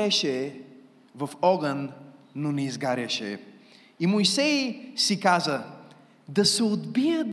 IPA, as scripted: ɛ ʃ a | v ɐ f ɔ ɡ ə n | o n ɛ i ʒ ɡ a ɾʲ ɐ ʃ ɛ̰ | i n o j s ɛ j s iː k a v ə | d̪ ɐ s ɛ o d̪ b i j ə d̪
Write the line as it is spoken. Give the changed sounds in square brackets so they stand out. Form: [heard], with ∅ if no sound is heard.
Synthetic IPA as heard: ɛ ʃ [ɛ] | v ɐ f ɔ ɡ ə [nː] | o n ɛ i [z] ɡ a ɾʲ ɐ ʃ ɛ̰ | i [m] o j s ɛ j s [i] k a [z] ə | d̪ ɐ s ɛ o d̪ b i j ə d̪